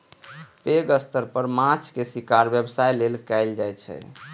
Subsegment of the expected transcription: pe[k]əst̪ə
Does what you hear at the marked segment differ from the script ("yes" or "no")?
yes